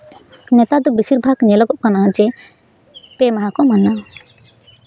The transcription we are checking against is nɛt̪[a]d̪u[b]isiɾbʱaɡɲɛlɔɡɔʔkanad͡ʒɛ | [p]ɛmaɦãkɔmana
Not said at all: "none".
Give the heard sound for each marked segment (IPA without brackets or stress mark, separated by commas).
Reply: a, b, p